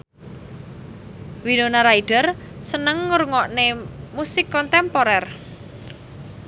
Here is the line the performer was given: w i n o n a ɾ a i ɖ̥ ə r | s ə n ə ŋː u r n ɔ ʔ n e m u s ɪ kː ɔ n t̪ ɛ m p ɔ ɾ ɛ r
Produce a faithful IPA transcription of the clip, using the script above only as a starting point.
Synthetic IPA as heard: w i n o n a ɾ a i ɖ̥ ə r | s ə n ə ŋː u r ŋ ɔ ʔ n e m u s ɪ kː ɔ n t̪ ɛ m p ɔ ɾ ɛ r